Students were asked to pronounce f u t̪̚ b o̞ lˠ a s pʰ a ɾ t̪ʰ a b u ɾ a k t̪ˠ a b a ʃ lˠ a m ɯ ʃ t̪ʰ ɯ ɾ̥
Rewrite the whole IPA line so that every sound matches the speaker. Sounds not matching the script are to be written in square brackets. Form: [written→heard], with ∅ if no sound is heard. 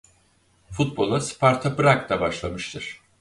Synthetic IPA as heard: f u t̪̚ b o̞ lˠ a s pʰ a ɾ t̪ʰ a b [u→ɯ] ɾ a k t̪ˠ a b a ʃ lˠ a m ɯ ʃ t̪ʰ ɯ ɾ̥